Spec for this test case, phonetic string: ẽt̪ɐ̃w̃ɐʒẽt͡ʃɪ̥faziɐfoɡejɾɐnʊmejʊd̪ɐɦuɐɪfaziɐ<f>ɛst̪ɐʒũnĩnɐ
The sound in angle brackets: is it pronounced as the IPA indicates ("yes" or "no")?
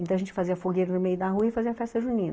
yes